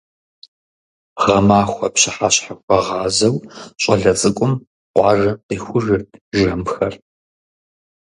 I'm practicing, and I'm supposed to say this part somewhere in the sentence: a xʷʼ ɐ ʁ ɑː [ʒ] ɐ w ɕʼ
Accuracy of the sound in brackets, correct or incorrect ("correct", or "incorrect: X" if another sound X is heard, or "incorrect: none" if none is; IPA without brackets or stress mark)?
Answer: incorrect: z